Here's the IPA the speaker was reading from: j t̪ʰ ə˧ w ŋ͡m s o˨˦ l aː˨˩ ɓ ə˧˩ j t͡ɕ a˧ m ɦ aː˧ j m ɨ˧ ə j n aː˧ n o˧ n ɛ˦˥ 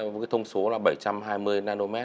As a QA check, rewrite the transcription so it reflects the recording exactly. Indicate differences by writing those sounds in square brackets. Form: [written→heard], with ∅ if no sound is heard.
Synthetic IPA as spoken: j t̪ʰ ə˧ w ŋ͡m s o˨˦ l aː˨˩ ɓ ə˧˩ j t͡ɕ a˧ m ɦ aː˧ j m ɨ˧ ə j n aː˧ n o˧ [n→m] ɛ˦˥

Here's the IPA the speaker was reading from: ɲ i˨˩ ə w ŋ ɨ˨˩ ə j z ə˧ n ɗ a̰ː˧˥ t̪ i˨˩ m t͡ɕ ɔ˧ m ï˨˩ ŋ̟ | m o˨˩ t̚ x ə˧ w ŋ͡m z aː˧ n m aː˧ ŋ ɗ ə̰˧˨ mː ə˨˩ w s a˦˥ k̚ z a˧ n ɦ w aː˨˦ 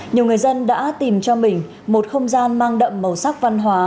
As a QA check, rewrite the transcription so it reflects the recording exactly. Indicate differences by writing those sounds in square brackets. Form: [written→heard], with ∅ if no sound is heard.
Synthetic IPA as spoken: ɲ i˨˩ ə w ŋ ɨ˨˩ ə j z ə˧ n ɗ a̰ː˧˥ t̪ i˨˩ m t͡ɕ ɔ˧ m ï˨˩ ŋ̟ | m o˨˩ t̚ x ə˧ w ŋ͡m z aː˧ n m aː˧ ŋ ɗ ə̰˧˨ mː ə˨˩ w s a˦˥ k̚ [z→v] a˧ n ɦ w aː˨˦

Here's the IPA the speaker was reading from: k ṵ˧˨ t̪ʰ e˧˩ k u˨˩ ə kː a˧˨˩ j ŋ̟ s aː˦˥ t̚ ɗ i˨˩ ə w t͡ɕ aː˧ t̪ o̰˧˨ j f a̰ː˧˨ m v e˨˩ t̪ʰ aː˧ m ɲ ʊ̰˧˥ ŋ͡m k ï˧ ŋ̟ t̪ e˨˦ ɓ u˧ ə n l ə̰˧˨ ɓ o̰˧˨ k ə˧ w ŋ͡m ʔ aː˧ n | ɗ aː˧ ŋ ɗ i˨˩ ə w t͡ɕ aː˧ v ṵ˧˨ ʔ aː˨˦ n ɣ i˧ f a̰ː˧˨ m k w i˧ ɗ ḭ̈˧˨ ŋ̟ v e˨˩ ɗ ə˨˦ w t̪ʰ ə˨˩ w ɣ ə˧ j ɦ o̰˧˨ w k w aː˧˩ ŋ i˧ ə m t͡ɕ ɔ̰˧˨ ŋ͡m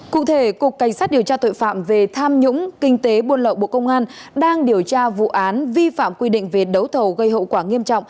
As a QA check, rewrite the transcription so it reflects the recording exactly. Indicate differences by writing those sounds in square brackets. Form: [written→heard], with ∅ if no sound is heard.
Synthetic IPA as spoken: k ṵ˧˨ t̪ʰ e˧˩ k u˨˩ ə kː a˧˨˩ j ŋ̟ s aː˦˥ t̚ ɗ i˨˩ ə w t͡ɕ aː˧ t̪ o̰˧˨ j f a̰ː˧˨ m v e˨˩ t̪ʰ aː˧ m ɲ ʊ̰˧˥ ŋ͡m k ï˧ ŋ̟ t̪ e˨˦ ɓ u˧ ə n l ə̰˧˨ ɓ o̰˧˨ k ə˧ w ŋ͡m ʔ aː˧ n | ɗ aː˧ ŋ ɗ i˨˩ ə w t͡ɕ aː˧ v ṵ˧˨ ʔ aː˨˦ n [ɣ→v] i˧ f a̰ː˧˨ m k w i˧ ɗ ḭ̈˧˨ ŋ̟ v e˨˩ ɗ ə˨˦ w t̪ʰ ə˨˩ w ɣ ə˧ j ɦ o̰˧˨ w k w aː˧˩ ŋ i˧ ə m t͡ɕ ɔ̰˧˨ ŋ͡m

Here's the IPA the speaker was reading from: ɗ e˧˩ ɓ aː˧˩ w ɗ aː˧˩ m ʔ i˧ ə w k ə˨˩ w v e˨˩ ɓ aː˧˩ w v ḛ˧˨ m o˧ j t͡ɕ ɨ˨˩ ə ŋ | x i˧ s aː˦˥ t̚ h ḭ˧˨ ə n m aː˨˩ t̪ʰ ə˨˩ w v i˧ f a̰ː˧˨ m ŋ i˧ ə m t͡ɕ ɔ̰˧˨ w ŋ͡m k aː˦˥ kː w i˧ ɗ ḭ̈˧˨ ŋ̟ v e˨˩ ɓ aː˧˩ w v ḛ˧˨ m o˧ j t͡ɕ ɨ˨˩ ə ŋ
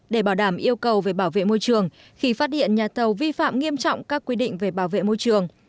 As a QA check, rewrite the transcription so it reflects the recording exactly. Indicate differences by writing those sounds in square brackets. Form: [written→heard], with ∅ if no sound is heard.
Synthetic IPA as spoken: ɗ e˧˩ ɓ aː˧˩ w ɗ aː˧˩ m ʔ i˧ ə w k ə˨˩ w v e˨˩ ɓ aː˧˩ w v ḛ˧˨ m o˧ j t͡ɕ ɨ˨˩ ə ŋ | x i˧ [s→f] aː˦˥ t̚ h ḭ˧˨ ə n [m→ɲ] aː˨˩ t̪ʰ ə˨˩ w v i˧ f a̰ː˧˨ m ŋ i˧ ə m t͡ɕ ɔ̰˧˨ w ŋ͡m k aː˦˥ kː w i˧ ɗ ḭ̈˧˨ ŋ̟ v e˨˩ ɓ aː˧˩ w v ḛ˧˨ m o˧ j t͡ɕ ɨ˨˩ ə ŋ

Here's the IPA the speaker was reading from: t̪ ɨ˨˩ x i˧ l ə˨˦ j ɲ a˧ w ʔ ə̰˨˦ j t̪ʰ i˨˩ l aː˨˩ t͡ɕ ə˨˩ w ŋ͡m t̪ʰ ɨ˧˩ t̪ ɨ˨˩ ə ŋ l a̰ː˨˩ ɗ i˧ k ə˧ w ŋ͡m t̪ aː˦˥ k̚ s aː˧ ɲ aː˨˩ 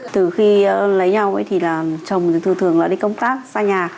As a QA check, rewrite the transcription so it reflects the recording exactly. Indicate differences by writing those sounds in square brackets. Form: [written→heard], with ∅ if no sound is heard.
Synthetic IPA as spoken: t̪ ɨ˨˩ x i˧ l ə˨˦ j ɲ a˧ w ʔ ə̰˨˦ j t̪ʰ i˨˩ l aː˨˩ t͡ɕ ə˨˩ w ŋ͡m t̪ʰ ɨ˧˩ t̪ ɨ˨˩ ə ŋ l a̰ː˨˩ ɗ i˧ k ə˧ w ŋ͡m t̪ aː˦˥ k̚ s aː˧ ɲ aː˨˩

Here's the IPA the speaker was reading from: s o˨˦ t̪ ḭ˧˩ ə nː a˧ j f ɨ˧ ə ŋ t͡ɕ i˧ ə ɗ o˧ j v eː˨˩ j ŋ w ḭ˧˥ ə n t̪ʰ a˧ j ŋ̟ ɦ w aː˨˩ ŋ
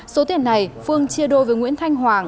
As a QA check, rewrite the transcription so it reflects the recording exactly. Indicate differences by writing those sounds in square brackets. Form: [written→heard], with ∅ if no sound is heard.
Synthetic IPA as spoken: s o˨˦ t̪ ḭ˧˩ ə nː [a˧→a˨˩] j f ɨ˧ ə ŋ t͡ɕ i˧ ə ɗ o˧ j v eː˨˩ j ŋ w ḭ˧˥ ə n t̪ʰ a˧ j ŋ̟ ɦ w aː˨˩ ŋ

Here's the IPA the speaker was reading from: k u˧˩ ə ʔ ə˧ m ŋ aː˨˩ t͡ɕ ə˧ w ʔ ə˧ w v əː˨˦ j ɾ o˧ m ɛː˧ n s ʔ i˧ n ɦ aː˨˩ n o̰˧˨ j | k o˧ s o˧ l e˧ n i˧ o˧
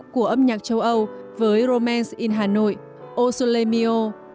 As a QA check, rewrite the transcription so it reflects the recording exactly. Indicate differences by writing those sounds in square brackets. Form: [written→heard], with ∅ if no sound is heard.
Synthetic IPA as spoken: k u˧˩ ə ʔ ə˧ m [ŋ→ɲ] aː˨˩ t͡ɕ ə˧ w ʔ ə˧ w v əː˨˦ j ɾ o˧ m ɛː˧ n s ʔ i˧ n ɦ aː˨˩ n o̰˧˨ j | [k→ʔ] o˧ s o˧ l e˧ [n→m] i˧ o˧

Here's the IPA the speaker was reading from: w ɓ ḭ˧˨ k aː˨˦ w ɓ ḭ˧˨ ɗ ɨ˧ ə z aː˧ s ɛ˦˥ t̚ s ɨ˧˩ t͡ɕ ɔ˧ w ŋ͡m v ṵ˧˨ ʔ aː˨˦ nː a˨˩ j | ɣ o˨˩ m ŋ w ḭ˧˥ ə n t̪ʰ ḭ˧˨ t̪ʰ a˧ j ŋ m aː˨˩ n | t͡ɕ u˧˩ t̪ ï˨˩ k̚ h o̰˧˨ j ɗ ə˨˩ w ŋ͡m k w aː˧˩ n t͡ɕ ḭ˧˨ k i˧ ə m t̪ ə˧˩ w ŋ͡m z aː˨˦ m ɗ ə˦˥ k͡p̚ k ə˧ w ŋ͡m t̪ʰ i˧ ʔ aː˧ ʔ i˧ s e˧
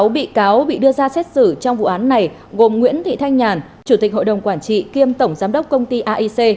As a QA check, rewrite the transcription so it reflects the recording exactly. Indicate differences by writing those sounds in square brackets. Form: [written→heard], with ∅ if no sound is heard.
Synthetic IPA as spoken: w ɓ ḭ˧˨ k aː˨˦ w ɓ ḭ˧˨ ɗ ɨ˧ ə z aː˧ s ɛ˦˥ t̚ s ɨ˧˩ t͡ɕ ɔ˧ w ŋ͡m v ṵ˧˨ ʔ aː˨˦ nː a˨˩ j | ɣ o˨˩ m ŋ w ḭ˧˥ ə n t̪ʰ ḭ˧˨ t̪ʰ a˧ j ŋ [m→ɲ] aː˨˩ n | t͡ɕ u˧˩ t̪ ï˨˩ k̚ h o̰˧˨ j ɗ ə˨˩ w ŋ͡m k w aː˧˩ n t͡ɕ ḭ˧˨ k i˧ ə m t̪ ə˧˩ w ŋ͡m z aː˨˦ m ɗ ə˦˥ k͡p̚ k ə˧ w ŋ͡m [t̪ʰ→t̪] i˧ ʔ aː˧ ʔ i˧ s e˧

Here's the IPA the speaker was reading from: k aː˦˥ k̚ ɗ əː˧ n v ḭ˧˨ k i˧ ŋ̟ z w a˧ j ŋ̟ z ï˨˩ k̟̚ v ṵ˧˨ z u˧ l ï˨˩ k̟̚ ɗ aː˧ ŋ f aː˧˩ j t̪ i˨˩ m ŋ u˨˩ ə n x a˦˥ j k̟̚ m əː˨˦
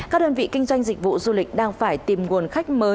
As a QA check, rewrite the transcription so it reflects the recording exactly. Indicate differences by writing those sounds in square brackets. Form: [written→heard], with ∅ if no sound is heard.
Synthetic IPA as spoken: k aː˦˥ k̚ ɗ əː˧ n v ḭ˧˨ k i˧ ŋ̟ z w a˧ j ŋ̟ z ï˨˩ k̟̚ v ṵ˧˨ z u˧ l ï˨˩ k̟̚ ɗ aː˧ ŋ f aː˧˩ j t̪ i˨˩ m ŋ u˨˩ ə n x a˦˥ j k̟̚ m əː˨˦

